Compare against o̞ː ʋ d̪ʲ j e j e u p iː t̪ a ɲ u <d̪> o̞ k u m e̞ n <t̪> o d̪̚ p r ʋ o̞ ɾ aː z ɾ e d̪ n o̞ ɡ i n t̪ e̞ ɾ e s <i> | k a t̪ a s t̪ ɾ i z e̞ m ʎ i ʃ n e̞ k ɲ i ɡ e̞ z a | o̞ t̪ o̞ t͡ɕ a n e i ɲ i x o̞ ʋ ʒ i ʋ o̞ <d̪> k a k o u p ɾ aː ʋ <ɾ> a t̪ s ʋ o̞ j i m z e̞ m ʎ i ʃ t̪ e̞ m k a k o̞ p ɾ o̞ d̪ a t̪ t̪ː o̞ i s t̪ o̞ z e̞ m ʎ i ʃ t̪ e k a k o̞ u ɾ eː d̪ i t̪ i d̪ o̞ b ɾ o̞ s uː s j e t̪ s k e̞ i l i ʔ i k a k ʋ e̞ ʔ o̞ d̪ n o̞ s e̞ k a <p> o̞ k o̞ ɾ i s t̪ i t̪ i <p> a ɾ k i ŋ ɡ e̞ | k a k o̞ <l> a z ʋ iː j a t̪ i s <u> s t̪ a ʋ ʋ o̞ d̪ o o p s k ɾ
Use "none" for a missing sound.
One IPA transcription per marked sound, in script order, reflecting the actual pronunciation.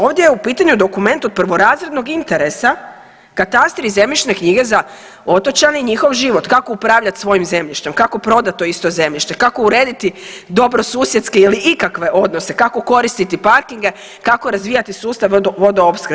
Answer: d̪, t̪, a, t̪, ʎ, k, p, ɾ, uː

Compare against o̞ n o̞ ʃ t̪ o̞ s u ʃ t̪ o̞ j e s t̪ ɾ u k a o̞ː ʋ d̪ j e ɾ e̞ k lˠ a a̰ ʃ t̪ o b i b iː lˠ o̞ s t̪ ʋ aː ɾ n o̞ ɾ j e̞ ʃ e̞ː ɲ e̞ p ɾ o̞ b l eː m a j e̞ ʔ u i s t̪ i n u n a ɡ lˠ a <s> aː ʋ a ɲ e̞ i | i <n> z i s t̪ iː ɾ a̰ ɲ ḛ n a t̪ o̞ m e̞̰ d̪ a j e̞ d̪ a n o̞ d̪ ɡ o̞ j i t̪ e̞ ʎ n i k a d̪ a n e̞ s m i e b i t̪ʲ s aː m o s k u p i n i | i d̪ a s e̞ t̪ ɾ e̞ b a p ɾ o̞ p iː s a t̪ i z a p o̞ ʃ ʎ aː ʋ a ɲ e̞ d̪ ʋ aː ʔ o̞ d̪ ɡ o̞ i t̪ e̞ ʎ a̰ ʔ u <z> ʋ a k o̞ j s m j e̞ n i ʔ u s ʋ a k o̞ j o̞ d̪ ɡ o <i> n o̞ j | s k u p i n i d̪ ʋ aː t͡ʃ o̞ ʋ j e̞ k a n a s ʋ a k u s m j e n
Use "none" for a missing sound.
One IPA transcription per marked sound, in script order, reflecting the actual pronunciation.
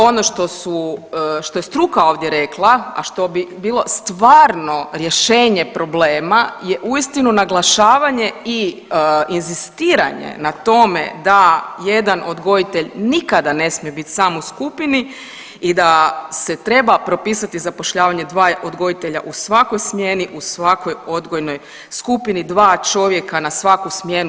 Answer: ʃ, n, s, j

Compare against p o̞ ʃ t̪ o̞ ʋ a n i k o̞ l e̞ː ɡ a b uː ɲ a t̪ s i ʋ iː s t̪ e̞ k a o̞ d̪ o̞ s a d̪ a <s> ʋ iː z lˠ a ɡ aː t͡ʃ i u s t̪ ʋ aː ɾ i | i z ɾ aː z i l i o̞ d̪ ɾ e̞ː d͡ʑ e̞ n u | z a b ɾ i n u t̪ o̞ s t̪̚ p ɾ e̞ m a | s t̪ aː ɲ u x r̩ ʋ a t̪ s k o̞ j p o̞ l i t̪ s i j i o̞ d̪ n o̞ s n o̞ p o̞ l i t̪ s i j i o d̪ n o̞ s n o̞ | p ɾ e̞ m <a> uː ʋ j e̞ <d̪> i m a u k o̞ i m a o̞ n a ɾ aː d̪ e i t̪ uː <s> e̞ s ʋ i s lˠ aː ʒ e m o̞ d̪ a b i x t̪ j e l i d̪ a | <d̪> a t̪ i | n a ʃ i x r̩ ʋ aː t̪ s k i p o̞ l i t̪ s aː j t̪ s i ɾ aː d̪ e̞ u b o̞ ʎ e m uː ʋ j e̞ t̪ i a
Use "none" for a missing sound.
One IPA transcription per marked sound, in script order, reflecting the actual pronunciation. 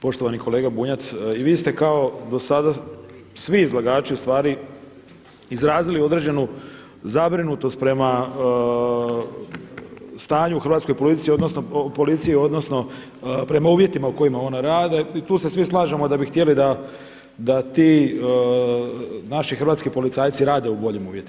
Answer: s, a, t̪, s, d̪

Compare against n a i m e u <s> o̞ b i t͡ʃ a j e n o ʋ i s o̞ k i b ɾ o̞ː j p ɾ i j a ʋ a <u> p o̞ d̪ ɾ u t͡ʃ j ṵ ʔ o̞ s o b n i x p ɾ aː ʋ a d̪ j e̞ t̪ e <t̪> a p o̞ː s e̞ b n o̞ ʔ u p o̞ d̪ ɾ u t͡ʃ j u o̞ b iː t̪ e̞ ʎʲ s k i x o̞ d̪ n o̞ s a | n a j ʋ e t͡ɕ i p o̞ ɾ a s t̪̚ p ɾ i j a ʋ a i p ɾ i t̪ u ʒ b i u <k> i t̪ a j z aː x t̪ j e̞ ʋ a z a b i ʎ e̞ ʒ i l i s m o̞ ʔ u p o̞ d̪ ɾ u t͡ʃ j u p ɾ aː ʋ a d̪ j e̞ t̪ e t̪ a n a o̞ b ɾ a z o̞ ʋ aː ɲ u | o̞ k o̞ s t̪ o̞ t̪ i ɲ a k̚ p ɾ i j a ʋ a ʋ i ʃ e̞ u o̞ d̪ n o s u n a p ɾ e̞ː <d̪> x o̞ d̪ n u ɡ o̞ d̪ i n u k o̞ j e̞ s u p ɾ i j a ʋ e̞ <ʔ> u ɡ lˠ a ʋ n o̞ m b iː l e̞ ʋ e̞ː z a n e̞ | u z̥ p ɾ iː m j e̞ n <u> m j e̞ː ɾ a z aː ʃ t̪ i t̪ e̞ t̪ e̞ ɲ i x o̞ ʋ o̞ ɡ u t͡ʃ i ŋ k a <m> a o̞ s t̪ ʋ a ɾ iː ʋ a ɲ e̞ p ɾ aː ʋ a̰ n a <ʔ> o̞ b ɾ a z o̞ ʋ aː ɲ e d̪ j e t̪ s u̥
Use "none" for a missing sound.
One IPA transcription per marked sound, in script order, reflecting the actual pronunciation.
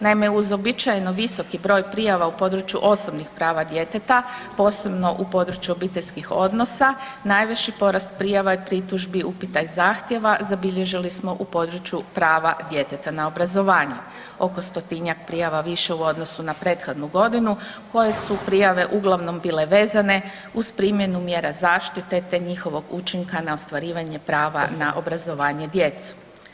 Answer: z, u, t̪, p, t̪, ʔ, u, n, ʔ

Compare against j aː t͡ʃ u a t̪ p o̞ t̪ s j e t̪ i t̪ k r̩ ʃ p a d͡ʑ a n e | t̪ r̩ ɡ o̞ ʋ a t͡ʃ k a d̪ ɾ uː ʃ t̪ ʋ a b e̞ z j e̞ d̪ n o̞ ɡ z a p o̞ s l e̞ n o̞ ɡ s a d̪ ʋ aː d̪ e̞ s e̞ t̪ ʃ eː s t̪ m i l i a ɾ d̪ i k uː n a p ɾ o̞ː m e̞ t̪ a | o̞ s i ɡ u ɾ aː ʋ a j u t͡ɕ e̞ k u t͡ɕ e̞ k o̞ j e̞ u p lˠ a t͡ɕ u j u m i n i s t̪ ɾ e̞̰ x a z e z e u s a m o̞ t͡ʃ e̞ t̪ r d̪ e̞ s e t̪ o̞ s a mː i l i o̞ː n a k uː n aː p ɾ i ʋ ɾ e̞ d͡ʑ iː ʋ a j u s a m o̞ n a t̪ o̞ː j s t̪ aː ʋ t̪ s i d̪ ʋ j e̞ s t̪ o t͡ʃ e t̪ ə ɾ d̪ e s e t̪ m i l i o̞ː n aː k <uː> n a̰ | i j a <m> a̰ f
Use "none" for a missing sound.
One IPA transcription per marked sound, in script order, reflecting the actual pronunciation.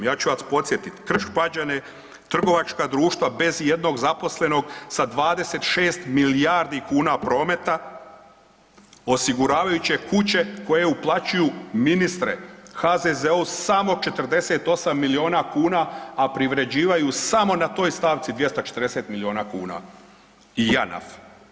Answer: uː, n

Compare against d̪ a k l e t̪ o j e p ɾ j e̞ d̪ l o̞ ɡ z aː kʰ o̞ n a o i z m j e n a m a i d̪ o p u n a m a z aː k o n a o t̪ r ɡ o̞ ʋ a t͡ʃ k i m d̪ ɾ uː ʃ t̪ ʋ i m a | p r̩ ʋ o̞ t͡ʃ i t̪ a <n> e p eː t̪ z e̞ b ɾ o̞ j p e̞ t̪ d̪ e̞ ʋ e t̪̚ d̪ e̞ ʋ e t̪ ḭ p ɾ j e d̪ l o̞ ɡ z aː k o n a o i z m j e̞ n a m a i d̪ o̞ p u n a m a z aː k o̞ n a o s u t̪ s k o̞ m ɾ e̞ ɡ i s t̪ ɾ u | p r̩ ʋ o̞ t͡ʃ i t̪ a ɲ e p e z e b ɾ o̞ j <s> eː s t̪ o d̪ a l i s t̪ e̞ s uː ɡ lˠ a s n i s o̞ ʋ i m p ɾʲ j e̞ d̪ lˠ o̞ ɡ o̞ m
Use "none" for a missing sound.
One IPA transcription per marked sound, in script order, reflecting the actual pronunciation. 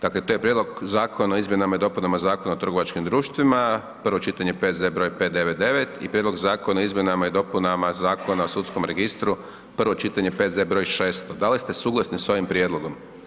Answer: ɲ, ʃ

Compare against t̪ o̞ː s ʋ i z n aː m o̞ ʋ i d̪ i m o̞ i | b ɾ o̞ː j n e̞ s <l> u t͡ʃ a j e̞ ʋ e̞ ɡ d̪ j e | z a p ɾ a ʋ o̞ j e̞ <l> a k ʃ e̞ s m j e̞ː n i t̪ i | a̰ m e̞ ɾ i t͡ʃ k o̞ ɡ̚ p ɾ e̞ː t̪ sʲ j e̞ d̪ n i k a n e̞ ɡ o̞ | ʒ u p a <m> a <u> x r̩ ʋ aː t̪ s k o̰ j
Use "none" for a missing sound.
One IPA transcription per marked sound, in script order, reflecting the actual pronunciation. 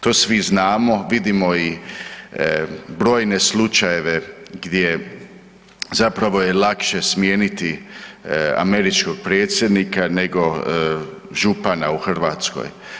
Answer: l, l, n, u

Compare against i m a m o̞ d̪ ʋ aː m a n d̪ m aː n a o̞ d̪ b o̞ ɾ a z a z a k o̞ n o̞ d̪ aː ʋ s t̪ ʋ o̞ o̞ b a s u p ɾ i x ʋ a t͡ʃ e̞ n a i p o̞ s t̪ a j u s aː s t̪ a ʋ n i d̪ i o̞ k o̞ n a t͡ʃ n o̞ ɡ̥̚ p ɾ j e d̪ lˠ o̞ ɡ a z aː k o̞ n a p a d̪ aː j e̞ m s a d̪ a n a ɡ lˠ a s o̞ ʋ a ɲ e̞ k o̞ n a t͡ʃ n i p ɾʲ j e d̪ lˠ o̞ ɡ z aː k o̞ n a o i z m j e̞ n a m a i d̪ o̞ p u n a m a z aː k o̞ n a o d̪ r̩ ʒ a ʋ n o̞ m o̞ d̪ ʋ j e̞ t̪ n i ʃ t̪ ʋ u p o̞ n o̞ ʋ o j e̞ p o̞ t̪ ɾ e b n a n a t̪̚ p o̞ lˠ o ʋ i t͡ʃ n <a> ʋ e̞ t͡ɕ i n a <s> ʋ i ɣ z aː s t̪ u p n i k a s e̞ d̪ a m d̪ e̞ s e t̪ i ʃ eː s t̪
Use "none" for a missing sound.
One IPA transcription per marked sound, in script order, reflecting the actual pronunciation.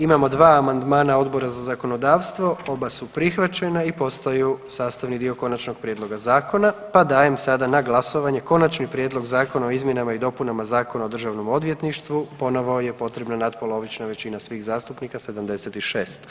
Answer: a, s

